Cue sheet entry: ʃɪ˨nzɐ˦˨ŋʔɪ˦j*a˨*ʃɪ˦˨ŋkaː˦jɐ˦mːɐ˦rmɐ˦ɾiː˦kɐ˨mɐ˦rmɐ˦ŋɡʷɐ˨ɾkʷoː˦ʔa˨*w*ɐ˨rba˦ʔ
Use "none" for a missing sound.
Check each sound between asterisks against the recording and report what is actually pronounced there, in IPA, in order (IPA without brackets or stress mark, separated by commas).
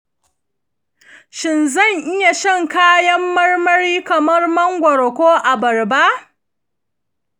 a˨, b